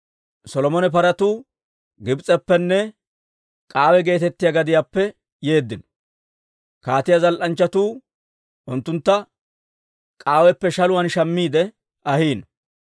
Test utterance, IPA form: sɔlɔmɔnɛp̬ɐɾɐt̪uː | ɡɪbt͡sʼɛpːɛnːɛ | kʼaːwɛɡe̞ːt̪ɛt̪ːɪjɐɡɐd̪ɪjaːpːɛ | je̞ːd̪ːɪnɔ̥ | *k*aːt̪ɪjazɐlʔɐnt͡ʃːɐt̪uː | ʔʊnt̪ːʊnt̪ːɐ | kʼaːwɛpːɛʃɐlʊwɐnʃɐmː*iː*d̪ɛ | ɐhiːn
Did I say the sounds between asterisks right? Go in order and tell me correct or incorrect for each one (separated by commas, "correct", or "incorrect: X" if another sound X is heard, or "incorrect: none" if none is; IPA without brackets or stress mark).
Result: correct, correct